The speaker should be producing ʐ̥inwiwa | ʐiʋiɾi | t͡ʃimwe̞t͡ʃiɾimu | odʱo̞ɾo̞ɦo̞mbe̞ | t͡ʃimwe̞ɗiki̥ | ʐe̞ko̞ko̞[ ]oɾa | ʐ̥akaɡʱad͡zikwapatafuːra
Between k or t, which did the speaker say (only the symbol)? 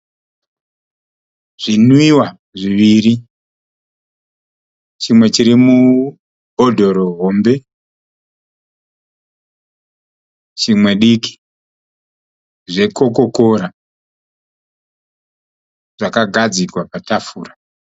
k